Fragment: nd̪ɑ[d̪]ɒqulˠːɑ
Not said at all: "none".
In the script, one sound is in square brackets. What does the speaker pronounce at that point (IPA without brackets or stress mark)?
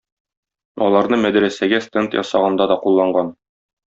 d̪